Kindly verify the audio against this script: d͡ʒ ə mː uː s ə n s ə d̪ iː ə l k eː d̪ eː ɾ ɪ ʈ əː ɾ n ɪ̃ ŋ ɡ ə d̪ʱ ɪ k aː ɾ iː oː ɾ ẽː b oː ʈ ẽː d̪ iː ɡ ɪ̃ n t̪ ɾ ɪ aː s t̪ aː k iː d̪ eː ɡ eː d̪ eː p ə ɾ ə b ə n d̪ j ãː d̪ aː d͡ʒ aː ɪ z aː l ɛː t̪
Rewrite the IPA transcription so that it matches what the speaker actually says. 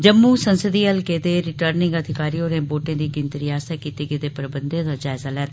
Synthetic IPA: d͡ʒ ə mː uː s ə n s ə d̪ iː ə l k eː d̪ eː ɾ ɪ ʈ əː ɾ n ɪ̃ ŋ ɡ ə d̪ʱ ɪ k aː ɾ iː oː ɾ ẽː b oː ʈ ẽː d̪ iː ɡ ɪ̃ n t̪ ɾ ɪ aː s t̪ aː k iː t̪ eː ɡ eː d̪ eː p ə ɾ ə b ə n d̪ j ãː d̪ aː d͡ʒ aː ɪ z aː l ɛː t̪